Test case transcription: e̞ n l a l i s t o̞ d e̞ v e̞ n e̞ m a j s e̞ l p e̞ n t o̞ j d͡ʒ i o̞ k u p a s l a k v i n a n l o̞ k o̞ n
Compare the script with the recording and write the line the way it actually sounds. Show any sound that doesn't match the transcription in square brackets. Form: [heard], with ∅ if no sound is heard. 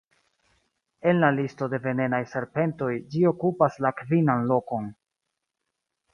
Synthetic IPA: e̞ n l a l i s t o̞ d e̞ v e̞ n e̞ [n] a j s e̞ [ɾ] p e̞ n t o̞ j d͡ʒ i o̞ k u p a s l a k v i n a n l o̞ k o̞ n